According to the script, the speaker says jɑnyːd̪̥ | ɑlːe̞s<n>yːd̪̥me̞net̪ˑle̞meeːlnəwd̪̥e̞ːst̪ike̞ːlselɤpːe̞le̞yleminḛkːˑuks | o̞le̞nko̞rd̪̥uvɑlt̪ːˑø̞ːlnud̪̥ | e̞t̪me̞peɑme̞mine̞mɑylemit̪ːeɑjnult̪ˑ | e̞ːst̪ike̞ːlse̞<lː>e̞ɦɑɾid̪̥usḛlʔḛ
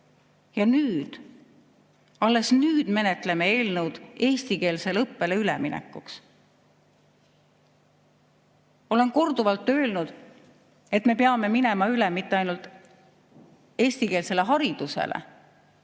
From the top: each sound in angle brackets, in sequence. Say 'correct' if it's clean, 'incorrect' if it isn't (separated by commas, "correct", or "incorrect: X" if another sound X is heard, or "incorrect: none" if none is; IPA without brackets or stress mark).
correct, incorrect: l